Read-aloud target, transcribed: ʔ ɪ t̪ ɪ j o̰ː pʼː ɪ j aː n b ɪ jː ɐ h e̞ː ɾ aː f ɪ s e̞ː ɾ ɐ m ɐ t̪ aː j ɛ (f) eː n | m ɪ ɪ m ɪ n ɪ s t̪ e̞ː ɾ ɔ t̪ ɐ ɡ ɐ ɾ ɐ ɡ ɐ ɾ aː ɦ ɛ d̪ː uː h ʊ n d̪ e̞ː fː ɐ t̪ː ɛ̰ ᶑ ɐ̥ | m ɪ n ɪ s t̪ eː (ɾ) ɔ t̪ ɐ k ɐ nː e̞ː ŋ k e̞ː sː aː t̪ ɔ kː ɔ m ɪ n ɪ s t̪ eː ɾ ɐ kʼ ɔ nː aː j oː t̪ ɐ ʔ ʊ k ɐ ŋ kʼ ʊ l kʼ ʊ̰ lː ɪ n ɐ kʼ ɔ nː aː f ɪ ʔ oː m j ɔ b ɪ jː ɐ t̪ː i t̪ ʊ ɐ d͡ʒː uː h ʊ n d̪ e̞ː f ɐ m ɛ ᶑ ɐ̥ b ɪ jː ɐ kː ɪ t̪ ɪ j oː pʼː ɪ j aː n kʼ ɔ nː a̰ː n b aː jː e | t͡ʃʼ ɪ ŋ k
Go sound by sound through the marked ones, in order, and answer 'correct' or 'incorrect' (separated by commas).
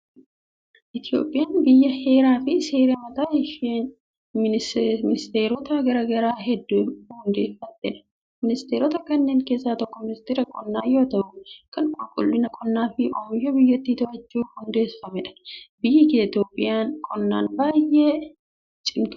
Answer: incorrect, correct